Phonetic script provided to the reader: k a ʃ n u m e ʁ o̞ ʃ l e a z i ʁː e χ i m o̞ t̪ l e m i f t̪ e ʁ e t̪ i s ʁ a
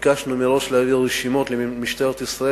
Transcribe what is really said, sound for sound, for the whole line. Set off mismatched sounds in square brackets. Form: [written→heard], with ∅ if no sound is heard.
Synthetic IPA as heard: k a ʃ n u m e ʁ o̞ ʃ l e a [z→v] i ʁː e [χ→ʃ] i m o̞ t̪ l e m i [f→ʃ] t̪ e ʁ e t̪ i s ʁ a